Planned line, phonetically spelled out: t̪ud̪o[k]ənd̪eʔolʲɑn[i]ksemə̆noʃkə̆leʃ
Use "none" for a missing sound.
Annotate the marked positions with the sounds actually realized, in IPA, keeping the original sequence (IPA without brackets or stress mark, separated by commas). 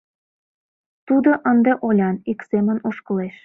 ʔ, i